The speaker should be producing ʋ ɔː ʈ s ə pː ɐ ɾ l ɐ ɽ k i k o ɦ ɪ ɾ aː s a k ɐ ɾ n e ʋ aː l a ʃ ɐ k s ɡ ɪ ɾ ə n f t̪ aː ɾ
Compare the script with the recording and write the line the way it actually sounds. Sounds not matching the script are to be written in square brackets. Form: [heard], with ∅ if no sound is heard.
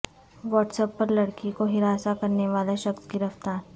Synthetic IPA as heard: ʋ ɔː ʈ s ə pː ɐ ɾ l ɐ ɽ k i k o ɦ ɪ ɾ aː s a k ɐ ɾ n e ʋ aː l a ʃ ɐ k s ɡ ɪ ɾ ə [∅] f t̪ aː ɾ